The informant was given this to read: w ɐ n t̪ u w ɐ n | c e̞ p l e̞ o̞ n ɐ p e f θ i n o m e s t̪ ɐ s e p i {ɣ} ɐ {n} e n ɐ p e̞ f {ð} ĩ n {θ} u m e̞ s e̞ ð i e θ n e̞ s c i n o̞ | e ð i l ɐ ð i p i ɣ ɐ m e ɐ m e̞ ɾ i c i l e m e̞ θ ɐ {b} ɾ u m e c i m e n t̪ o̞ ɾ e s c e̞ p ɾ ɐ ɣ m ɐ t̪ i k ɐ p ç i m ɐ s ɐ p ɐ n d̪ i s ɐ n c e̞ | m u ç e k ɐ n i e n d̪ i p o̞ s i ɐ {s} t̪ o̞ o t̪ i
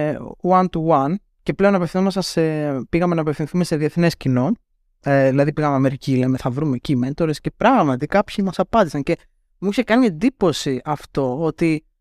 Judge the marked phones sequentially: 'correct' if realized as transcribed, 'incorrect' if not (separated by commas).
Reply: correct, incorrect, incorrect, correct, incorrect, incorrect